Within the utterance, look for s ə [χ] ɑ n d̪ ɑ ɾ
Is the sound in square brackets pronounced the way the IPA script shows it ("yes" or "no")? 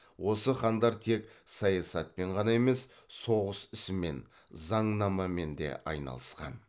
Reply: yes